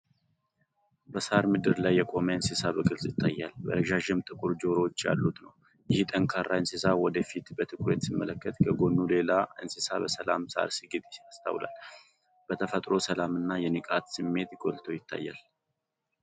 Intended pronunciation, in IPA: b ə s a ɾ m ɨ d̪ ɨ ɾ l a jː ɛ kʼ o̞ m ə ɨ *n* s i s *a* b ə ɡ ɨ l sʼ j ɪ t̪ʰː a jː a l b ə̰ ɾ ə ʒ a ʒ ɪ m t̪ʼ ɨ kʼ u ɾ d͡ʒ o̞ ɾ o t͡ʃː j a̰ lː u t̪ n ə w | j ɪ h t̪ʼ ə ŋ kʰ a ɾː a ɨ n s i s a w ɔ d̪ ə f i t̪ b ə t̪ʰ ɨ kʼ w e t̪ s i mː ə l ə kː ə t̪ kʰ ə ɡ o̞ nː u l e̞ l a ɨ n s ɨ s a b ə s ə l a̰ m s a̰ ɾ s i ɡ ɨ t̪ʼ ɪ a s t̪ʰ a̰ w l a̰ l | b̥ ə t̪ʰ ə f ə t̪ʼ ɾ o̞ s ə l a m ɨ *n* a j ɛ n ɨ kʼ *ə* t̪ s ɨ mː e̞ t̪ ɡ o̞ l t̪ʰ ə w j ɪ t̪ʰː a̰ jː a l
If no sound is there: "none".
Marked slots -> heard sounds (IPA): n, a, nː, a

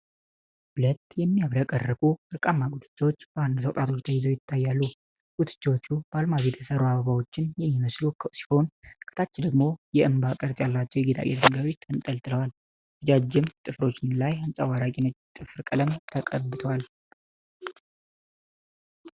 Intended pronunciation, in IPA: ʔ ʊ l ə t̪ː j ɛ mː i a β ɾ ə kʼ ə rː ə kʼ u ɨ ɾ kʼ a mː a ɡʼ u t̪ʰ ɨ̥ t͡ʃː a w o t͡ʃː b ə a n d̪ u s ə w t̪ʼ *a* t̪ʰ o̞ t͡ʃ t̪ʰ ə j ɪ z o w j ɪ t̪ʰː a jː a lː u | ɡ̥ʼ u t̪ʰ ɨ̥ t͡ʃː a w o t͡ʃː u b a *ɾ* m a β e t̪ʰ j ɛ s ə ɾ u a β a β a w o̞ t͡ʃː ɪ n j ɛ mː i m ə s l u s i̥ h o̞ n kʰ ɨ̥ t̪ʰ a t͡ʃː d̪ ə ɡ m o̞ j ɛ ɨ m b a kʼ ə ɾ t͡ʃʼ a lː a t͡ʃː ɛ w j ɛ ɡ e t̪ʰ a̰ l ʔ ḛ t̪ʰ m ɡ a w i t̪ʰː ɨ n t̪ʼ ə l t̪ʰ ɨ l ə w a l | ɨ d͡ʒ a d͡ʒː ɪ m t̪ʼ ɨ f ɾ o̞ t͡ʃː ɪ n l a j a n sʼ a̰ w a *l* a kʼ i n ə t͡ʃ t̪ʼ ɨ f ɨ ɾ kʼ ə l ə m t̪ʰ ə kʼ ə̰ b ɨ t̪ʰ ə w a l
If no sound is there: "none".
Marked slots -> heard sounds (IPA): a, l, ɾ

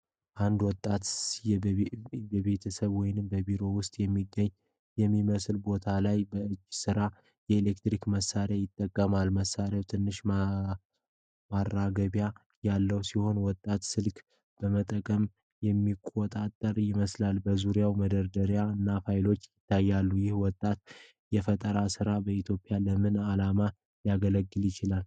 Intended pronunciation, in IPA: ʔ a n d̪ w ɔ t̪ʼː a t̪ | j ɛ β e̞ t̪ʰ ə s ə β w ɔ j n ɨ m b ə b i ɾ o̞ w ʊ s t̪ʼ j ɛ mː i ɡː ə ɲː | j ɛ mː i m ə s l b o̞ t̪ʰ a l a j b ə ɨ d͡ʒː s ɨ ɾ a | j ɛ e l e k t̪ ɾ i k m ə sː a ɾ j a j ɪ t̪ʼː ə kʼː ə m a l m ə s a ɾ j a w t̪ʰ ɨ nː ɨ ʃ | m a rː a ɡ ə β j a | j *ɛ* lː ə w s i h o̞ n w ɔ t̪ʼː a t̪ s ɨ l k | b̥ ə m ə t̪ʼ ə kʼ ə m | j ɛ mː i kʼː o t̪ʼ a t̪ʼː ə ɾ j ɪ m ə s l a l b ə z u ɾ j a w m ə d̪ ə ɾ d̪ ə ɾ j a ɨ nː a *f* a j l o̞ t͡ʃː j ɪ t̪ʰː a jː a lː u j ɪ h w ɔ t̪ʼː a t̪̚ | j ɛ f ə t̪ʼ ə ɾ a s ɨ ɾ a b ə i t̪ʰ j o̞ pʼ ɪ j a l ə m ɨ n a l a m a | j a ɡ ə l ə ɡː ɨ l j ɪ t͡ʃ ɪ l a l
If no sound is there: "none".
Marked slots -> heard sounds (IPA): a, f

